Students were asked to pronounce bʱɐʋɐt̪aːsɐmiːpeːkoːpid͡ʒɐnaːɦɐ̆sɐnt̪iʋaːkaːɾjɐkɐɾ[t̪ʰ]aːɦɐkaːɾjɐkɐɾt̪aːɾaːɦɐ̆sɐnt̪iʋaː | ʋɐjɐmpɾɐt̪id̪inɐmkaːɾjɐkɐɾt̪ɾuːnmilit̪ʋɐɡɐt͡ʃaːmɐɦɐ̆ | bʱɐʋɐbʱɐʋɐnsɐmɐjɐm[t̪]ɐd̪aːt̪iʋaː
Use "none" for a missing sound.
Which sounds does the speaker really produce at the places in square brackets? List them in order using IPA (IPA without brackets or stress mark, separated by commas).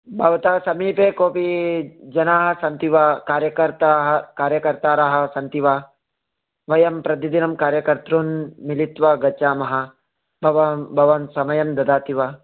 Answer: t̪, d̪